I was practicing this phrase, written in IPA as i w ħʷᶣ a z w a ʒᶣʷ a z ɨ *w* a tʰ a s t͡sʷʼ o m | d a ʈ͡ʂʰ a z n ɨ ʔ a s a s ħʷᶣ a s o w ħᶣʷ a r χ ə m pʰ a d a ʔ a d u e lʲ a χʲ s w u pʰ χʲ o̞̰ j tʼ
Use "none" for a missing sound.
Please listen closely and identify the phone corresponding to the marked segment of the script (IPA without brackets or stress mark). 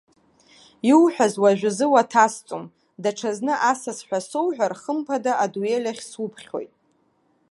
w